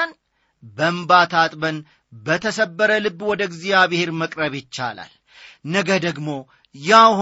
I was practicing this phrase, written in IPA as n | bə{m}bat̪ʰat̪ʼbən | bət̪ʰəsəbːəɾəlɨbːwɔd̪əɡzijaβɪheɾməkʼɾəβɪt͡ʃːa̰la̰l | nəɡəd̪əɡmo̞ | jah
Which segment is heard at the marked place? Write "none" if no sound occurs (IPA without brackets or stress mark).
m